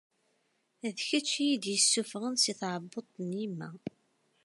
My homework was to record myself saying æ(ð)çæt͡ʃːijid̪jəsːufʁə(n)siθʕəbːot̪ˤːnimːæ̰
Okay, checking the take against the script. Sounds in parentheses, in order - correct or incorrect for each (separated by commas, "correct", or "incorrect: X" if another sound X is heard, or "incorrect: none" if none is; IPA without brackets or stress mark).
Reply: correct, correct